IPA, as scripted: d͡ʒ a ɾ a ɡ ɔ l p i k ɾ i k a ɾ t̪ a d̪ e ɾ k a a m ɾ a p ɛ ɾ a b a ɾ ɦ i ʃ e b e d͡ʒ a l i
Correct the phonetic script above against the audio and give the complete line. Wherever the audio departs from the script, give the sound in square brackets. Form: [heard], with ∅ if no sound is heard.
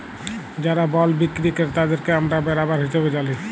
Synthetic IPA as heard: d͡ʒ a ɾ a [b] ɔ l [b] i k ɾ i k [e] ɾ t̪ a d̪ e ɾ k [e] a m ɾ a [b] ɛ ɾ a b a ɾ ɦ i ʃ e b e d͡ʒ a l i

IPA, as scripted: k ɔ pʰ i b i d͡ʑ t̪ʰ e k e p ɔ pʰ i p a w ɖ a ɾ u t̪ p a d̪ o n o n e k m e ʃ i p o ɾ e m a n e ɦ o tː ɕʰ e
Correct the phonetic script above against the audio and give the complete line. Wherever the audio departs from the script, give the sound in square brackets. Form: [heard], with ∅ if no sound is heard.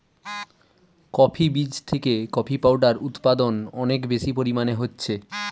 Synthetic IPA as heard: k ɔ pʰ i b i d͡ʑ t̪ʰ e k e [k] ɔ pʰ i p a w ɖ a ɾ u t̪ p a d̪ o n [ɔ] n e k [b] e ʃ i p o ɾ [i] m a n e ɦ o tː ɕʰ e

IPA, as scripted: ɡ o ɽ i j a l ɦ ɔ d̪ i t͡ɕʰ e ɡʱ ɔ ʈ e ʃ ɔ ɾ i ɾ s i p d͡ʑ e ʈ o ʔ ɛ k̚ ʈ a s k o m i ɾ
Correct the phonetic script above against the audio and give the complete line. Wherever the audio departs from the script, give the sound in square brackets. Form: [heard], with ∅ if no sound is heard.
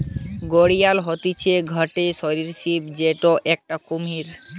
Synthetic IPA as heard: ɡ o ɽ i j a l ɦ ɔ [t̪] i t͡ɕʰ e ɡʱ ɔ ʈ e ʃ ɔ ɾ i ɾ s i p d͡ʑ e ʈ o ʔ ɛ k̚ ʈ a [∅] k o m i ɾ

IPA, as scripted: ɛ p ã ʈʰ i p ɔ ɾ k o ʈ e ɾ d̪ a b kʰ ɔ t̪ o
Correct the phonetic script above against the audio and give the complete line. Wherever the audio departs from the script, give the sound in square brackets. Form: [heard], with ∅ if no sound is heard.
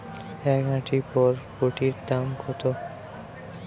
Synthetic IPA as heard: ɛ [k] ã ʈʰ i p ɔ ɾ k o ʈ [i] ɾ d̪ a [m] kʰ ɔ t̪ o

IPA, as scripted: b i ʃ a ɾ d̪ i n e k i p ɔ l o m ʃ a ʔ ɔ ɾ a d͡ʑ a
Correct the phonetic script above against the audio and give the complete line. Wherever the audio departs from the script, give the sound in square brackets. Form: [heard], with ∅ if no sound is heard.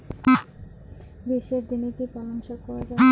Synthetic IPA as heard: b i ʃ [e] ɾ d̪ i n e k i p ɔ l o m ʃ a [k] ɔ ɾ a d͡ʑ a

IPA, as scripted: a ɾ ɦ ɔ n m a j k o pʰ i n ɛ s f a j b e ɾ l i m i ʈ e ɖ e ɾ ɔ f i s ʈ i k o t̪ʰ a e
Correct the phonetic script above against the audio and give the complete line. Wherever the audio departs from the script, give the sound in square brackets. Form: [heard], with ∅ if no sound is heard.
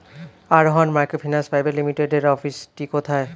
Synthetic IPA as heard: a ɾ ɦ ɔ n m a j k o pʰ i n [a] s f a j b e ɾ l i m i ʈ e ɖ e ɾ ɔ f i s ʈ i k o t̪ʰ a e

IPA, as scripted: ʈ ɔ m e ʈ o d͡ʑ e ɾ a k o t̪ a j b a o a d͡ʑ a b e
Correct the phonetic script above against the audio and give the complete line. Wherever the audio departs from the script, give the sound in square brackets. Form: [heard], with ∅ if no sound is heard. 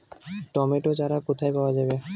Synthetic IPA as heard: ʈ ɔ m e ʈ o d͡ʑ [a] ɾ a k o [t̪ʰ] a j [p] a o a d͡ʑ a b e

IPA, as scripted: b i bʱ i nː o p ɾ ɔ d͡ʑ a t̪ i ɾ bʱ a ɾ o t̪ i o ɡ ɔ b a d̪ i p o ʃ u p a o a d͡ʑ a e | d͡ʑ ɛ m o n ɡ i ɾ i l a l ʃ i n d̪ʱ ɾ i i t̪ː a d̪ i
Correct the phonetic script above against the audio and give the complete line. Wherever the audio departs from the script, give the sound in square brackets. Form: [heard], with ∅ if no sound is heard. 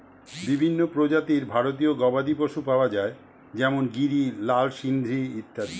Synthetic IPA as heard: b i bʱ i nː o p ɾ [o] d͡ʑ a t̪ i ɾ bʱ a ɾ o t̪ i o ɡ ɔ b a d̪ i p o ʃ u p a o a d͡ʑ a e | d͡ʑ ɛ m o n ɡ i ɾ i l a l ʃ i n d̪ʱ ɾ i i t̪ː a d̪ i

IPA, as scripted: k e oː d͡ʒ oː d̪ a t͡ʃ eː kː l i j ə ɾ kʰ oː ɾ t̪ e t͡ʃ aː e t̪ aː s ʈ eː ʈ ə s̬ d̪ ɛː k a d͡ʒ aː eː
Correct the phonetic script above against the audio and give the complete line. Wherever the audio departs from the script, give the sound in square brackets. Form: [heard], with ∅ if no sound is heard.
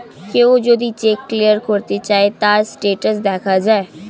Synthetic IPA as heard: k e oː d͡ʒ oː d̪ [i] t͡ʃ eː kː l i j ə ɾ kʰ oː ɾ t̪ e t͡ʃ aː e t̪ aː s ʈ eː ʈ ə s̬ d̪ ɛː [kʰ] a d͡ʒ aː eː

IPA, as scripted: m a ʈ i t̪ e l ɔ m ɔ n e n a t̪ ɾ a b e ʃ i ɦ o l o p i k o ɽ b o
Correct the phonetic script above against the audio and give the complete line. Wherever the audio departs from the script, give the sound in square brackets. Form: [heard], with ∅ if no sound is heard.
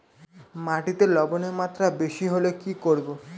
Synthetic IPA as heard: m a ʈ i t̪ e l ɔ [b] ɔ n e [m] a t̪ ɾ a b e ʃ i ɦ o l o [k] i k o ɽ b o

